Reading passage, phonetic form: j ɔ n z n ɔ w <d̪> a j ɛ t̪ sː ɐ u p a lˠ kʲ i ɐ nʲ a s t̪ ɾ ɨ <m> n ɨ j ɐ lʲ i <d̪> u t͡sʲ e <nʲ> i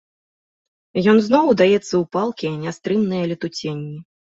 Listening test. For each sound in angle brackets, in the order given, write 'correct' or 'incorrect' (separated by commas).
correct, correct, incorrect, incorrect